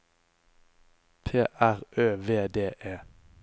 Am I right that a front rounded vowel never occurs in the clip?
no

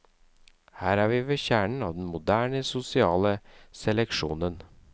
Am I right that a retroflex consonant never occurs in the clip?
no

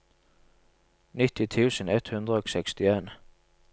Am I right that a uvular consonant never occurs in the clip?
yes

